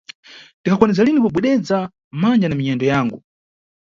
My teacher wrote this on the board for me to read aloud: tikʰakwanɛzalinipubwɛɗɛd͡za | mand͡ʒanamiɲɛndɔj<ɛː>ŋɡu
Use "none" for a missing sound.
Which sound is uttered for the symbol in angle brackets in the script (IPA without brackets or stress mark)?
aː